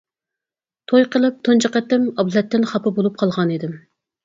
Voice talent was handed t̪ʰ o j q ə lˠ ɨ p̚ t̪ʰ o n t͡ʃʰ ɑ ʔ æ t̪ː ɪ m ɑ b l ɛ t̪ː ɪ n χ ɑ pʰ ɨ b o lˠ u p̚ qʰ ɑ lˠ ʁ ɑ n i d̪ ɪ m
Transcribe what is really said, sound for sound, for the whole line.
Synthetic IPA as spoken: t̪ʰ o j q ə lˠ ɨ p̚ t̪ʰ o n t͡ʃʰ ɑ q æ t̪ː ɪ m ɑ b l ɛ t̪ː ɪ n χ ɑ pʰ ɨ b o lˠ u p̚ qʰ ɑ lˠ ʁ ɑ n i d̪ ɪ m